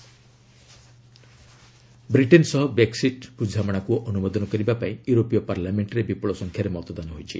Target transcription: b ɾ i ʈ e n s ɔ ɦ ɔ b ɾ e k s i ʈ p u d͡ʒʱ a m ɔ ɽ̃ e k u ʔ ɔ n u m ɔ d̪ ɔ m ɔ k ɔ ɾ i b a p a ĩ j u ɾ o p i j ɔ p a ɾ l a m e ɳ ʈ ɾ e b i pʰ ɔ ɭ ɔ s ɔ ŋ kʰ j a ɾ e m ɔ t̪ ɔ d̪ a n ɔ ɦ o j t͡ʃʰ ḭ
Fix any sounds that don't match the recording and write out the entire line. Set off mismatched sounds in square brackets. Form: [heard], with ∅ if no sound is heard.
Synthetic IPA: b ɾ i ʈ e n s ɔ ɦ ɔ b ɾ e k s i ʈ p u d͡ʒʱ a m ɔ ɽ̃ [a] k u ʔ ɔ n u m ɔ d̪ ɔ [n] ɔ k ɔ ɾ i b a p a ĩ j u ɾ o p i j ɔ p a ɾ l a m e ɳ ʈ ɾ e b i [p] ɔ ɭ ɔ s ɔ ŋ kʰ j a ɾ e m ɔ t̪ ɔ d̪ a n ɔ ɦ o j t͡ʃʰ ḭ